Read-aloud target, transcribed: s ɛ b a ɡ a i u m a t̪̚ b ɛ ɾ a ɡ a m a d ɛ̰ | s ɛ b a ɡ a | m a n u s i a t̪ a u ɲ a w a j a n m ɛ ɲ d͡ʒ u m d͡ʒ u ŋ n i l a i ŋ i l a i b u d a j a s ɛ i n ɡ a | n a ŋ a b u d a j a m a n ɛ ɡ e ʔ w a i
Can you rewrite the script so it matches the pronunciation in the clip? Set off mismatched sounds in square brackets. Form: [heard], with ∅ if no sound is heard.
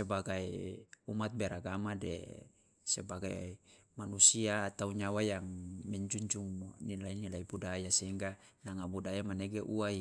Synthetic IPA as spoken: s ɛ b a ɡ a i u m a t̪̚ b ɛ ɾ a ɡ a m a d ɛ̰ | s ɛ b a ɡ a | m a n u s i a t̪ a u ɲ a w a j a [ŋ] m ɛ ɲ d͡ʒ u [ɲ] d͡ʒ u ŋ n i l a i [n] i l a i b u d a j a s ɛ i [ŋ] ɡ a | n a ŋ a b u d a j a m a n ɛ ɡ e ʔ [u] a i